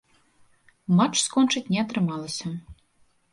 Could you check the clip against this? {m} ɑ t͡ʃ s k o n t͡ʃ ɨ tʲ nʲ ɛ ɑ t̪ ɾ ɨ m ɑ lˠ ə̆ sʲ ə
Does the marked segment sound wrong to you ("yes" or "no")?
no